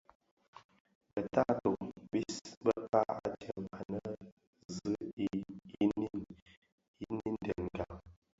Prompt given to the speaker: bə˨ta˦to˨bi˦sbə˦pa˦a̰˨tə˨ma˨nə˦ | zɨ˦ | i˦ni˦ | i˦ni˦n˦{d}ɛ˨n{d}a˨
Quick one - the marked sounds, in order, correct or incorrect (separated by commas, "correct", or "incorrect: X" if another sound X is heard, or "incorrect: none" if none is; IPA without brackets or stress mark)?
correct, incorrect: ɡ